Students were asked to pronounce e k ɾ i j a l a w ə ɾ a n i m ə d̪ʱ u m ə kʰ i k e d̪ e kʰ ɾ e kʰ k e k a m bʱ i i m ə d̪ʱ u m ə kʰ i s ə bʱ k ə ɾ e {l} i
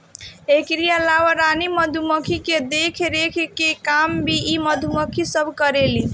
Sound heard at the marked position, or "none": l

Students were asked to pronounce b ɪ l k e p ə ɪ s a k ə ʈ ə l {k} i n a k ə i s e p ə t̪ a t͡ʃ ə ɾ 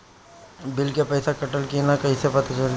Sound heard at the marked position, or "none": k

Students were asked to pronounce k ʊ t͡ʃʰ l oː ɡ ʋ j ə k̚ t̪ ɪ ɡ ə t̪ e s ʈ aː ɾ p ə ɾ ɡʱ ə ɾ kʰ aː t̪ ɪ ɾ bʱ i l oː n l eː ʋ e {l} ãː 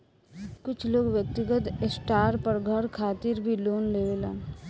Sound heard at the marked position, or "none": l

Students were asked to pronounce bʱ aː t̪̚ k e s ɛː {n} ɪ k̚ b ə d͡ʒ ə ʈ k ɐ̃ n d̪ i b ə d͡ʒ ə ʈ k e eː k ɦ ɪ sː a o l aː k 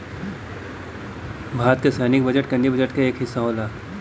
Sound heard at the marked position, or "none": n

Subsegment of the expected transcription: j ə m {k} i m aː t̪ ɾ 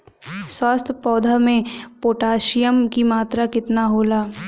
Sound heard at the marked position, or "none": k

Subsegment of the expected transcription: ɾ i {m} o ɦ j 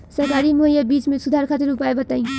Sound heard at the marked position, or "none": m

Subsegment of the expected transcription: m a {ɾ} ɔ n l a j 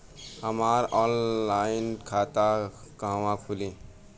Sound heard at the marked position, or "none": ɾ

